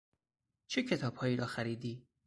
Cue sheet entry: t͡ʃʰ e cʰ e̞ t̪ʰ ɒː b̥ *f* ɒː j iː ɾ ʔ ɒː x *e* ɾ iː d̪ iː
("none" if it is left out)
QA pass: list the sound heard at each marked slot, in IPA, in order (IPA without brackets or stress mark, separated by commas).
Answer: h, æ